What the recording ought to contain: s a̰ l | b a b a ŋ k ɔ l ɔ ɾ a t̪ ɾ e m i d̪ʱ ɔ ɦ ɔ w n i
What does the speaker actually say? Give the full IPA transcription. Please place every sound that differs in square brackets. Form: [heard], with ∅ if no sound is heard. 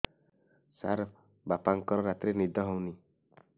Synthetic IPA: s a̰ [ɾ] | b a [p] a ŋ k ɔ [ɾ] ɔ ɾ a t̪ ɾ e [n] i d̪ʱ ɔ ɦ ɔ w n i